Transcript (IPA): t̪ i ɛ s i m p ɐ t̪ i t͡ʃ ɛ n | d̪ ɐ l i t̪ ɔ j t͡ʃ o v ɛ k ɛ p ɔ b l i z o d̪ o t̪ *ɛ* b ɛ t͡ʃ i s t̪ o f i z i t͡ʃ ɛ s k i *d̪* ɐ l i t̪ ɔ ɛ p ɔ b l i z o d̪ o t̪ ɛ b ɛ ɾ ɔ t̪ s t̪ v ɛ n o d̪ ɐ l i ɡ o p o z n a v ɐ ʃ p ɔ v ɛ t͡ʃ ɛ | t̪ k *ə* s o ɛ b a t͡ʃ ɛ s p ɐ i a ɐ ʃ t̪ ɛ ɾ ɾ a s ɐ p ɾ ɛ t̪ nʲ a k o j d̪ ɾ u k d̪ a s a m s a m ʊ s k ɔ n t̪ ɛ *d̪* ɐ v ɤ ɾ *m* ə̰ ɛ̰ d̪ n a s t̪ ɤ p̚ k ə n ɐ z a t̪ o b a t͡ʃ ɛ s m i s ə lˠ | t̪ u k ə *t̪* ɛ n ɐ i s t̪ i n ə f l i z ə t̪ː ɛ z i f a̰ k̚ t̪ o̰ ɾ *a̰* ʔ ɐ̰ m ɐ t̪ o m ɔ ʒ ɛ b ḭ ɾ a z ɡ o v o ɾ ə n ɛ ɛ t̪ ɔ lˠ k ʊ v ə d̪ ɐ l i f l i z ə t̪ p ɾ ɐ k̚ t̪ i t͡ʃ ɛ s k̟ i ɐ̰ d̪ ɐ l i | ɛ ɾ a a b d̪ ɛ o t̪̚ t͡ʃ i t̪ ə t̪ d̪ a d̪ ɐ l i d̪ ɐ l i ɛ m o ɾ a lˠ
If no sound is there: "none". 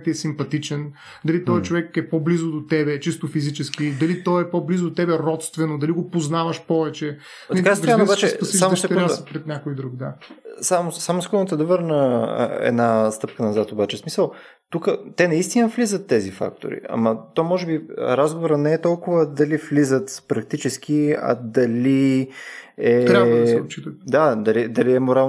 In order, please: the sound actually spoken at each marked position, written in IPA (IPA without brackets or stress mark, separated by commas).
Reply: ɛ, d̪, a, d̪, n, t̪, ḭ